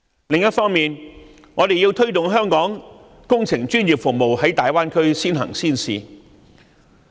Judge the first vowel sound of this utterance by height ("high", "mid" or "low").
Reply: high